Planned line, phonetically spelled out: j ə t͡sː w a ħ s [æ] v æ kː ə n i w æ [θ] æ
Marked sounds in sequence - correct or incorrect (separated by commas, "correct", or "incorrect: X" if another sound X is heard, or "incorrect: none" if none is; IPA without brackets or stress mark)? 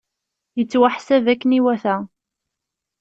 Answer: correct, correct